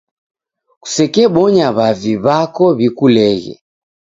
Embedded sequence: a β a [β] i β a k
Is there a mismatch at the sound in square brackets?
yes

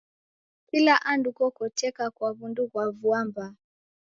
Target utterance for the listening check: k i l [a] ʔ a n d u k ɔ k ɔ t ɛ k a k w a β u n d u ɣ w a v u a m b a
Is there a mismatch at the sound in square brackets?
no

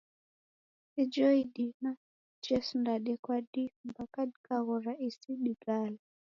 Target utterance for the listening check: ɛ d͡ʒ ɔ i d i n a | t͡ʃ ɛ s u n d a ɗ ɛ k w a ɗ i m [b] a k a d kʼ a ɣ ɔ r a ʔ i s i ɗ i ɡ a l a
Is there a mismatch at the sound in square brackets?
no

